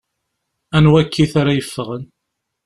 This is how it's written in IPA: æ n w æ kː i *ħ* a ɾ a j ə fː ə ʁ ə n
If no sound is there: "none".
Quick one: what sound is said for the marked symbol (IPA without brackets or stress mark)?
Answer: θ